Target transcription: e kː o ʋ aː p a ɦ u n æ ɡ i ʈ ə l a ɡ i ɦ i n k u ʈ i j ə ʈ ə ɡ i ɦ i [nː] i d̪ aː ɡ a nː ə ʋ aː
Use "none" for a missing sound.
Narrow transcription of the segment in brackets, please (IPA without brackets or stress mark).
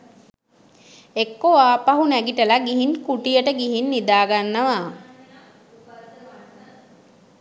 nː